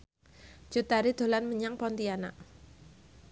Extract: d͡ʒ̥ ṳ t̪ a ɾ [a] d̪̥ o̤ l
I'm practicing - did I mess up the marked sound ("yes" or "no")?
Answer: yes